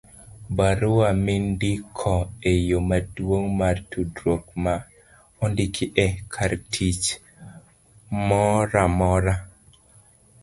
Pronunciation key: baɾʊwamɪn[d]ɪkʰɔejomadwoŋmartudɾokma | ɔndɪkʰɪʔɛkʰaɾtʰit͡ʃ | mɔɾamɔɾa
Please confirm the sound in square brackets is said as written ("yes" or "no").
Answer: yes